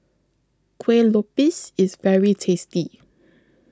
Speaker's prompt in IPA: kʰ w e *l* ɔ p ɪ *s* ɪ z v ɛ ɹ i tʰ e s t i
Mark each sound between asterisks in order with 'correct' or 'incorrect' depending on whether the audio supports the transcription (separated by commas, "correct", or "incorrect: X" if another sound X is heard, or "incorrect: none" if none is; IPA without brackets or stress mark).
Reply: correct, correct